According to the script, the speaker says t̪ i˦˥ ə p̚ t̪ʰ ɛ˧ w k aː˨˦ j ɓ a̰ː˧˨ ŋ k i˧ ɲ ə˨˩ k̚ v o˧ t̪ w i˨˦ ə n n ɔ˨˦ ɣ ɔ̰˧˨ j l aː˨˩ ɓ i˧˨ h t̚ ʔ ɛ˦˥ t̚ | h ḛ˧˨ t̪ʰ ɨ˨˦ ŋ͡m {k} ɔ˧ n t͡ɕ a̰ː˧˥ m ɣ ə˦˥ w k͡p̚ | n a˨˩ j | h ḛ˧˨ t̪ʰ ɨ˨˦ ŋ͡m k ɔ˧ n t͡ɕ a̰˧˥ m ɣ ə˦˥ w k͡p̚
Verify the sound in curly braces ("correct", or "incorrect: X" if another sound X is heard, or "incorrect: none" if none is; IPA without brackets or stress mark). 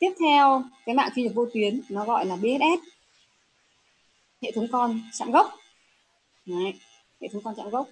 correct